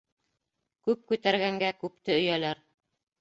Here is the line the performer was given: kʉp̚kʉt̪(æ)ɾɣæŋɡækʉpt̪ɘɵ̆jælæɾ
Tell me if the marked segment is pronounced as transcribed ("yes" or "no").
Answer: yes